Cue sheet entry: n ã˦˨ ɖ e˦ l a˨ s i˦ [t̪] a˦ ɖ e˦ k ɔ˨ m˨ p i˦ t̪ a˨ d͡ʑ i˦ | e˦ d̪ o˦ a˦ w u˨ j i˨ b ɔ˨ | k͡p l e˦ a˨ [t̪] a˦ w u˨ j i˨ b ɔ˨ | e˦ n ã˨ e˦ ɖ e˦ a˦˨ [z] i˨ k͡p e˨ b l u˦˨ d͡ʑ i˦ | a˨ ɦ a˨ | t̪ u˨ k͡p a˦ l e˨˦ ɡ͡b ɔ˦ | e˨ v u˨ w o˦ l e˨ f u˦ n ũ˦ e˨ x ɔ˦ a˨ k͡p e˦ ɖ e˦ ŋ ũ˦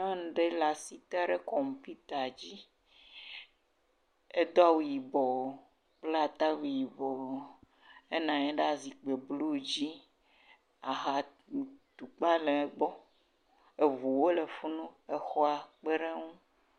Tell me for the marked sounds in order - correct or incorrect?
correct, correct, correct

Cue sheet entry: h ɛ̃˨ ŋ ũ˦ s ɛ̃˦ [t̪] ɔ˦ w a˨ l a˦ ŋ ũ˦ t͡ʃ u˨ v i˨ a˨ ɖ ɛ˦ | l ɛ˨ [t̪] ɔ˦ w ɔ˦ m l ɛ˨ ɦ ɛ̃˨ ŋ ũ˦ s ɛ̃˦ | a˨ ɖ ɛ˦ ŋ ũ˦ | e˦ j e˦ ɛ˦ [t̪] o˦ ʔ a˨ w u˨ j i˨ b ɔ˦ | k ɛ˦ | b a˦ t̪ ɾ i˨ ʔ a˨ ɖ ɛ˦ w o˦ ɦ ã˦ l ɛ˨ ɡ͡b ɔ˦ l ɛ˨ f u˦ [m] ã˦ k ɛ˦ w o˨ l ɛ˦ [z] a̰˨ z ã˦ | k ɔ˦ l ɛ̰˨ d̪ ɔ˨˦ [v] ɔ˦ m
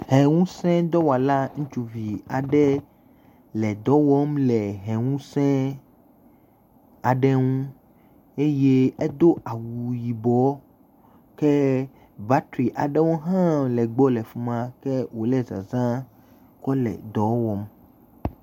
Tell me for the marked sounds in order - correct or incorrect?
incorrect, incorrect, incorrect, correct, correct, incorrect

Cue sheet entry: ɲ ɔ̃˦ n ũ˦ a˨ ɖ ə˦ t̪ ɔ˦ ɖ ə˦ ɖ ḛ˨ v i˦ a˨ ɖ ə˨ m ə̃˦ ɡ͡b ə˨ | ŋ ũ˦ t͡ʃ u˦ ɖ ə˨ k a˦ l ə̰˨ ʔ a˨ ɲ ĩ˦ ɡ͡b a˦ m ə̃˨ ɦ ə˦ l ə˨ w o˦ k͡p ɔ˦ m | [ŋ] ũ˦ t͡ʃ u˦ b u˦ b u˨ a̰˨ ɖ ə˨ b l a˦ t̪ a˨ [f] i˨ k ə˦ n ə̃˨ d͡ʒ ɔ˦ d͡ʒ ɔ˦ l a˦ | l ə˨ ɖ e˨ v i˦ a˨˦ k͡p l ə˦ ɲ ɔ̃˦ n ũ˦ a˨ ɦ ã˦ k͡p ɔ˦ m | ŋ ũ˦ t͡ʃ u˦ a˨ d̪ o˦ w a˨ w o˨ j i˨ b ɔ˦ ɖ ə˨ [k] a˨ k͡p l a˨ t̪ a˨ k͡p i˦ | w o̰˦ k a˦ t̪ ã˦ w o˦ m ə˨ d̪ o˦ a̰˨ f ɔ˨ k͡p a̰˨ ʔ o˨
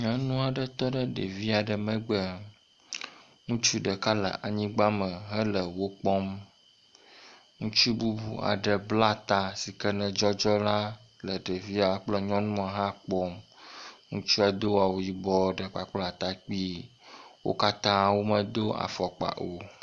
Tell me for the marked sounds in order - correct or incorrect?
correct, incorrect, incorrect

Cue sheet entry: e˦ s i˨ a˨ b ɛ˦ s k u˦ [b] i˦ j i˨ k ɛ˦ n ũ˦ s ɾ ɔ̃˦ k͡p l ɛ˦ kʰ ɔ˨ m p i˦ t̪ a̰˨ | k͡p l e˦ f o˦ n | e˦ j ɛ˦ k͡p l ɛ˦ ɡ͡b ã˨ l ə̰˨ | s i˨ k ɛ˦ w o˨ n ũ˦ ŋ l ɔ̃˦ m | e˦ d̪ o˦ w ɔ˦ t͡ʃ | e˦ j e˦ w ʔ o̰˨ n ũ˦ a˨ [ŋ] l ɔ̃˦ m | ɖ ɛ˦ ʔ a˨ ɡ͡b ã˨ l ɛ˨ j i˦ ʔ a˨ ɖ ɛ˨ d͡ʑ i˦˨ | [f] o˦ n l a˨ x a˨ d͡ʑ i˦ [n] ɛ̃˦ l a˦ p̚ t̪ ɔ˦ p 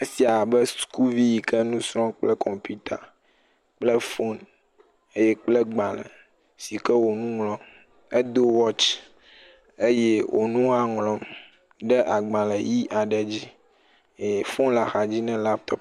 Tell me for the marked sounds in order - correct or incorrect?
incorrect, correct, correct, correct

